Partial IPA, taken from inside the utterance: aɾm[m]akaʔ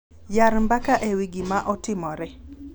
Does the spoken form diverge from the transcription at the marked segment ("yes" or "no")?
yes